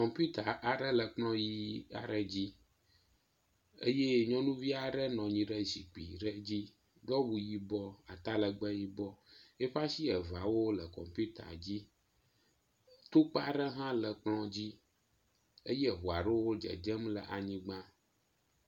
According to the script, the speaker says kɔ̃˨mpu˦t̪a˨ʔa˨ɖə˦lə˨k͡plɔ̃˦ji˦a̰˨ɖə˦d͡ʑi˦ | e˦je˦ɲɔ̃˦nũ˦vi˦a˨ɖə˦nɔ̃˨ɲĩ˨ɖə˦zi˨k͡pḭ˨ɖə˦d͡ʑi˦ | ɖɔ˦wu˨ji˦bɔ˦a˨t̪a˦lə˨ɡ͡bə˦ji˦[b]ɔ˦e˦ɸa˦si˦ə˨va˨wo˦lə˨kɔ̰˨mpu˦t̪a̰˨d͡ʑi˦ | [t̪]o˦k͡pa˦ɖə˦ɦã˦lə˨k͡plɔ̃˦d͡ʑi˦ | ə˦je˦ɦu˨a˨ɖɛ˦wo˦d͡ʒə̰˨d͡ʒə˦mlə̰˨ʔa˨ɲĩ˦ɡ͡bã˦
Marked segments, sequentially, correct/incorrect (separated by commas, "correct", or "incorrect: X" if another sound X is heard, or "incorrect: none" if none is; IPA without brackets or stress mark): correct, correct